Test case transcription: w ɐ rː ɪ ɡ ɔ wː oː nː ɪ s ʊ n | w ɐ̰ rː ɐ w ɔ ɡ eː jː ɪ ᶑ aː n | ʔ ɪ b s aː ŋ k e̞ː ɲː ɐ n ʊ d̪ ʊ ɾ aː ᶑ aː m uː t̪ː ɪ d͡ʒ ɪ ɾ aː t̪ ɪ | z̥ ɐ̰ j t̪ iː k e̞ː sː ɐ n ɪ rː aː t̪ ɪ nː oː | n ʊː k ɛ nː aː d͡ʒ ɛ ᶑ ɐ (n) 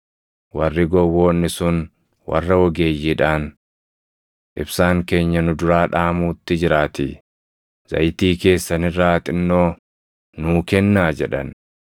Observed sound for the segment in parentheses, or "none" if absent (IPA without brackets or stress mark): n